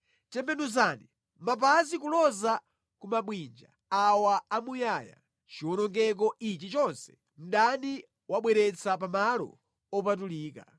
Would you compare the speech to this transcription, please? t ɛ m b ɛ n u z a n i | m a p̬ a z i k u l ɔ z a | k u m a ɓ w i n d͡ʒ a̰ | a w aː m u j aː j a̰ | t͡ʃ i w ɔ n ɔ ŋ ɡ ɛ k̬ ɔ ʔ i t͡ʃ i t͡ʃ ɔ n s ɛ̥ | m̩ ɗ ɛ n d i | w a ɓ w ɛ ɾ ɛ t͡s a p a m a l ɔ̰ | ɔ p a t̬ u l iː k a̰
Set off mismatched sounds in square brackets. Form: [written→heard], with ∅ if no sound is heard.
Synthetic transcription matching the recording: t ɛ m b ɛ n u z a n i | m a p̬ a z i k u l ɔ z a | k u m a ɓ w i n d͡ʒ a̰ | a w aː m u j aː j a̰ | t͡ʃ i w ɔ n ɔ ŋ ɡ ɛ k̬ ɔ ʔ i t͡ʃ i t͡ʃ ɔ n s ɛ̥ | m̩ ɗ [ɛ→a] n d i | w a ɓ w ɛ ɾ ɛ t͡s a p a m a l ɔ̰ | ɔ p a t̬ u l iː k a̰